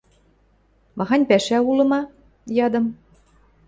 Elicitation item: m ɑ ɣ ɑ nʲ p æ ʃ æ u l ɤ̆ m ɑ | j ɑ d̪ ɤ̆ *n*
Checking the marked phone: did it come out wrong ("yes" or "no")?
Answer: yes